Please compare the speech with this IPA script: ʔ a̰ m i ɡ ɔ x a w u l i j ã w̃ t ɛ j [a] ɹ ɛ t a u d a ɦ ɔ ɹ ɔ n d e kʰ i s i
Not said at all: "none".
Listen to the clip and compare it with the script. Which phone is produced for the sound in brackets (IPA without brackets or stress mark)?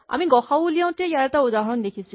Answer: a